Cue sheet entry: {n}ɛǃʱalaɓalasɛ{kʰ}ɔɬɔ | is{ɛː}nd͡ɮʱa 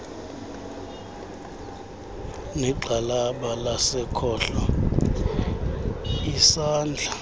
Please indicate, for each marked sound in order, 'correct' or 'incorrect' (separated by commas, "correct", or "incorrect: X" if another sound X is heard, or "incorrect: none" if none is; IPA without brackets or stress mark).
correct, correct, incorrect: aː